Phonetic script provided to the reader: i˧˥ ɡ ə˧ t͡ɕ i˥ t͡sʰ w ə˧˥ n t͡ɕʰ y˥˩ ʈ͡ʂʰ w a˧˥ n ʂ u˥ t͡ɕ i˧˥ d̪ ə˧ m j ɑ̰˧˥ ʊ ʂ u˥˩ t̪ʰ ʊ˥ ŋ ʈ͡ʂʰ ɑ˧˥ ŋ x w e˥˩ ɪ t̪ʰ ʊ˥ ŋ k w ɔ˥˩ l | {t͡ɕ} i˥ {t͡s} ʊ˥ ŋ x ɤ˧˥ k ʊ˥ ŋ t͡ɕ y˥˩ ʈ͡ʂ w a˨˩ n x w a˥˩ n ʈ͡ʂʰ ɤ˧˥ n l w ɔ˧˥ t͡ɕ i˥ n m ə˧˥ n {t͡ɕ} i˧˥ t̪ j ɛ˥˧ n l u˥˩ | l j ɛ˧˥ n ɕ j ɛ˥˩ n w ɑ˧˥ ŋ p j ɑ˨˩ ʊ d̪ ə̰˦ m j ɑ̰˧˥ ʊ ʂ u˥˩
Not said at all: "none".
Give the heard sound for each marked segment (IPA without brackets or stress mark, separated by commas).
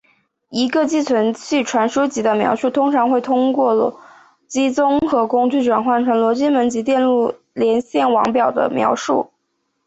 t͡ɕ, t͡s, t͡ɕ